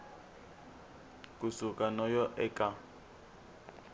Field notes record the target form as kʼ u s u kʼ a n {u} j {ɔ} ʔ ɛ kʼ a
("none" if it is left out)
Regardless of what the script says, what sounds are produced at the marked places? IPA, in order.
ɔ, ɔ

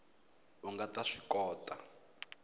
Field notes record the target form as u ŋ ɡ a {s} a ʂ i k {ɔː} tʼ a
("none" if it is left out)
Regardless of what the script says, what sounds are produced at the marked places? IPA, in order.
t, ɔː

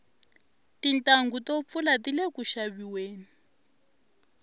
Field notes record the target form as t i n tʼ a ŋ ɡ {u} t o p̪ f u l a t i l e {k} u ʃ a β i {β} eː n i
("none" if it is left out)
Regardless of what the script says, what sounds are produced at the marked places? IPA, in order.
u, k, w

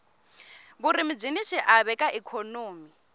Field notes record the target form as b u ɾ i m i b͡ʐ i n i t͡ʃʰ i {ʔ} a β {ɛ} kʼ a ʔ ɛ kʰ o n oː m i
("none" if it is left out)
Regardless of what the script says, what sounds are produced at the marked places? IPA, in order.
ʔ, ɛ

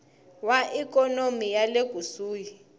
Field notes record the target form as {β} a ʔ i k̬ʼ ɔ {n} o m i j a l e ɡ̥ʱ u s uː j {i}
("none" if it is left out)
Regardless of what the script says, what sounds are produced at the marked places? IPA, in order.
w, n, i

